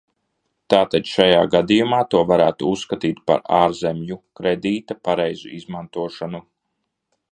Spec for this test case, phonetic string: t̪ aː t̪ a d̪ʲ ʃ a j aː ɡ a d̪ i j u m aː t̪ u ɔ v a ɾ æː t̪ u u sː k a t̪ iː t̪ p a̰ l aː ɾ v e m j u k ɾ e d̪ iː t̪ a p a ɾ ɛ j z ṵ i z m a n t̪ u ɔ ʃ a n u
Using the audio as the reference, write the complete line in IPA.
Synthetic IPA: t̪ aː t̪ a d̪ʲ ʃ a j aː ɡ a d̪ i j u m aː t̪ u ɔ v a ɾ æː t̪ u u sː k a t̪ iː t̪ p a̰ ɾ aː ɾ z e m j u k ɾ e d̪ iː t̪ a p a ɾ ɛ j z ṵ i z m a n t̪ u ɔ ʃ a n u